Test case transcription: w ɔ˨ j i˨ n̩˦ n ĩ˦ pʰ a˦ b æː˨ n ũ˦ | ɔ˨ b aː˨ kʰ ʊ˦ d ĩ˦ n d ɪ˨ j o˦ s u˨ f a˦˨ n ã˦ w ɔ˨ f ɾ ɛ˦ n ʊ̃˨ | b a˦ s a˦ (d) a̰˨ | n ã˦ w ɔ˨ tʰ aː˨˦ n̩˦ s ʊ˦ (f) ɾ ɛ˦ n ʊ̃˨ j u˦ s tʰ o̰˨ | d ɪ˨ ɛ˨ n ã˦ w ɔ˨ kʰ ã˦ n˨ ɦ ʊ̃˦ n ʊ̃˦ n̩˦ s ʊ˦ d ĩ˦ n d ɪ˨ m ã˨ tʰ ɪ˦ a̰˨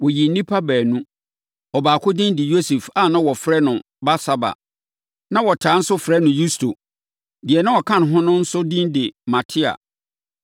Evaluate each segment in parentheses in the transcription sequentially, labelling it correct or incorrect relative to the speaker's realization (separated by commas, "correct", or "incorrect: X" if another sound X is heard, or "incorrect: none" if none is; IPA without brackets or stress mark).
incorrect: b, correct